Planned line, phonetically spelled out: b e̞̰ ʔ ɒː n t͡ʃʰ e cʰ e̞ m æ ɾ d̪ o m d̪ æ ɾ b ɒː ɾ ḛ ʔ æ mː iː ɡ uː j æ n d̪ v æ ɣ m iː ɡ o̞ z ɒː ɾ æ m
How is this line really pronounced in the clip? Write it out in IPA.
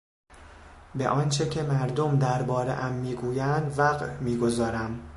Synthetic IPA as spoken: b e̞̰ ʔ ɒː n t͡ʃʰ e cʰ e̞ m æ ɾ d̪ o m d̪ æ ɾ b ɒː ɾ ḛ ʔ æ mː iː ɡ uː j æ n d̪ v æ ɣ m iː ɡ o̞ z ɒː ɾ æ m

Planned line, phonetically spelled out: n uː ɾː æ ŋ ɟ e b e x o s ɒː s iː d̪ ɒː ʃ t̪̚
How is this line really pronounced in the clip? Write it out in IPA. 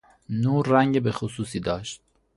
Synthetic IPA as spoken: n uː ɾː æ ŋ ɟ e b e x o s uː s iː d̪ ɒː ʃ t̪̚

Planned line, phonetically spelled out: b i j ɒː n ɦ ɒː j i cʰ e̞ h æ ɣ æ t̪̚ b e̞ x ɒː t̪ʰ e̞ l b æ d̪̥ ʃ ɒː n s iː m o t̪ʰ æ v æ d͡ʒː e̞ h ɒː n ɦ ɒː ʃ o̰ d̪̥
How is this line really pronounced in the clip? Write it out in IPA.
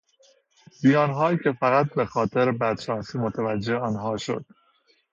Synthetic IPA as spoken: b i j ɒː n ɦ ɒː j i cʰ e̞ f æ ɣ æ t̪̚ b e̞ x ɒː t̪ʰ e̞ ɾ b æ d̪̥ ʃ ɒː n s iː m o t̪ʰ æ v æ d͡ʒː e̞ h ɒː n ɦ ɒː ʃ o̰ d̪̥

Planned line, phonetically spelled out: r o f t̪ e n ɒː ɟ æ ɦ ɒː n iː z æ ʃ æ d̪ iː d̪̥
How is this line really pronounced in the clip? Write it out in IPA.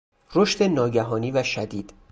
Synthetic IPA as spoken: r o ʃ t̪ e n ɒː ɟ æ ɦ ɒː n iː v æ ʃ æ d̪ iː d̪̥

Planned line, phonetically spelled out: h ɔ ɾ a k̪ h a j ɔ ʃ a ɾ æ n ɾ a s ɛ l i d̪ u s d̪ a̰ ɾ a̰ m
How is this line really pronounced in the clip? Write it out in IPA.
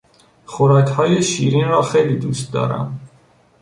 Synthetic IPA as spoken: χ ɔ ɾ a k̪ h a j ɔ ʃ i ɾ i n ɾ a χ ɛ l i d̪ u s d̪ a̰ ɾ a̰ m

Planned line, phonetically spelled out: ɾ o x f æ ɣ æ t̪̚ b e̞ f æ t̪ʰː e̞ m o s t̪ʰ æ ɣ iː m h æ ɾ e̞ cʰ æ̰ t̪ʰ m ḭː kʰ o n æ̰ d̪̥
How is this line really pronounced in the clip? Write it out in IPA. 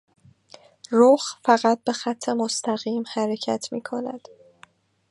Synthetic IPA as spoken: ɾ o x f æ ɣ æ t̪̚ b e̞ x æ t̪ʰː e̞ m o s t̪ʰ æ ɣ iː m h æ ɾ e̞ cʰ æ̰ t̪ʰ m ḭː kʰ o n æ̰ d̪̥

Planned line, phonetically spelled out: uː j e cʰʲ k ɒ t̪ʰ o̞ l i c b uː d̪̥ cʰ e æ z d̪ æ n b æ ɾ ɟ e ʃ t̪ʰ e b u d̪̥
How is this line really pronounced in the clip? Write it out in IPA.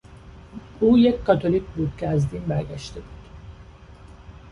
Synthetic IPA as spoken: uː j e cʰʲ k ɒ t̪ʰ o̞ l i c b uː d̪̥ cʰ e æ z d̪ i n b æ ɾ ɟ æ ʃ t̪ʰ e b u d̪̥

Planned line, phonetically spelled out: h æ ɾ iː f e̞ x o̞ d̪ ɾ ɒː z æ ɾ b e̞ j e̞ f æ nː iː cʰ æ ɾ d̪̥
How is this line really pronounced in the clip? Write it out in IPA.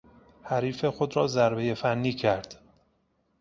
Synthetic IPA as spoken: h æ ɾ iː f e̞ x o̞ d̪ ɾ ɒː z æ ɾ b e̞ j e̞ f æ nː iː cʰ æ ɾ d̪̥

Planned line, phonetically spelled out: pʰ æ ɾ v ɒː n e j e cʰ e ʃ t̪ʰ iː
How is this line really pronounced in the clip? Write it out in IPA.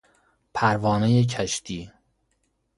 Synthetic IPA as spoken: pʰ æ ɾ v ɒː n e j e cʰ æ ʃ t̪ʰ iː

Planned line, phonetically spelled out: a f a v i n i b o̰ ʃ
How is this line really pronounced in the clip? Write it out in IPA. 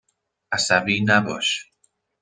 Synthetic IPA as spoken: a s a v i n a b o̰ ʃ

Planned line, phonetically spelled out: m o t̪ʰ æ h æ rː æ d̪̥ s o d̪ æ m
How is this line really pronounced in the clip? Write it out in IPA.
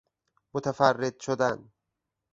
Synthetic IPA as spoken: m o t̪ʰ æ f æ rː e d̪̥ ʃ o d̪ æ n

